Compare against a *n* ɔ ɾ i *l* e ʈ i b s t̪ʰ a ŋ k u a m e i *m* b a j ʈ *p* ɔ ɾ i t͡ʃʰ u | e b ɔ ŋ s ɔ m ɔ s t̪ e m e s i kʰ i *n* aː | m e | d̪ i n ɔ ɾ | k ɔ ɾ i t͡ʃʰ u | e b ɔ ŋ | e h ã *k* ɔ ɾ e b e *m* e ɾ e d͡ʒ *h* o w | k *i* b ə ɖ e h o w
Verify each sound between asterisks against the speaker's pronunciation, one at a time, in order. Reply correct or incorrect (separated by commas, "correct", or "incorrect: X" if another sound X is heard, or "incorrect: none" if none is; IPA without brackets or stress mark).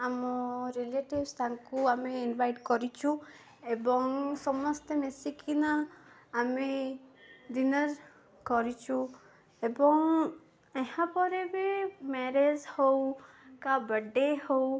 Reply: incorrect: m, correct, incorrect: n, incorrect: k, correct, incorrect: p, correct, correct, incorrect: a